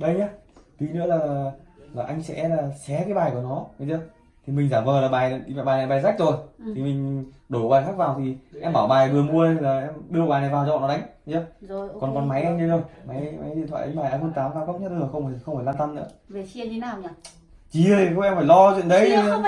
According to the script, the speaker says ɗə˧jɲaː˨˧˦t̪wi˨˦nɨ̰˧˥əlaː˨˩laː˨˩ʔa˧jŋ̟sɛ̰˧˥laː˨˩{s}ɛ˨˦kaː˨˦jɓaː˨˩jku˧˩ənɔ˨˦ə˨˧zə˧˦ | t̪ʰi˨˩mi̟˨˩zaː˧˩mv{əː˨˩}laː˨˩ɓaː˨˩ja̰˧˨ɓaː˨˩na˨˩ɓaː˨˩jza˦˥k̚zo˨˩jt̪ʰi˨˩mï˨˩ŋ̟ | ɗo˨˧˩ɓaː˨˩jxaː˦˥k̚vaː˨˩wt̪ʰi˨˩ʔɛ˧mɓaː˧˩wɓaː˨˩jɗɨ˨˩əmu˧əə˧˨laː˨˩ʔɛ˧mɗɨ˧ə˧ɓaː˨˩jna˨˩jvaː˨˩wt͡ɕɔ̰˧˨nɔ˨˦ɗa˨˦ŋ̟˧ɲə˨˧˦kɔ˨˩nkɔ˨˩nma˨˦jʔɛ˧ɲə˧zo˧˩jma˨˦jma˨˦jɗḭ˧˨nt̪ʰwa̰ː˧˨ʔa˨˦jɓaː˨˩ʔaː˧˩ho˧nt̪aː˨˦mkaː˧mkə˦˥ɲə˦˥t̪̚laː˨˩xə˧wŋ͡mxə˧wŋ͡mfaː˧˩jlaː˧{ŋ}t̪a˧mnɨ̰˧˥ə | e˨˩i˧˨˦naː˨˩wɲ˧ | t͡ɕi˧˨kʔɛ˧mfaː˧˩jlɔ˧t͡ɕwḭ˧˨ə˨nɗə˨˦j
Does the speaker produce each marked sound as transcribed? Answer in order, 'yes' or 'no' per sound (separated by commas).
yes, yes, no